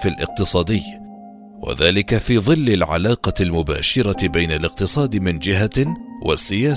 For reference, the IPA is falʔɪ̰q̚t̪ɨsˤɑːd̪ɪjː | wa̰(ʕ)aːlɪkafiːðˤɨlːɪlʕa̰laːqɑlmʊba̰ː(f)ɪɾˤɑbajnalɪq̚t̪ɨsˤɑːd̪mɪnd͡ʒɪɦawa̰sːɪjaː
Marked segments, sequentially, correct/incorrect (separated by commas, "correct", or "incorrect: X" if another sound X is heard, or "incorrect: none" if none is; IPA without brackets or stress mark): incorrect: ð, incorrect: ʃ